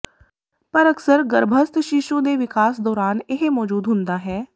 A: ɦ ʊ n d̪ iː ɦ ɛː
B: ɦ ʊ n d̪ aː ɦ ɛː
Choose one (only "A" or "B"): B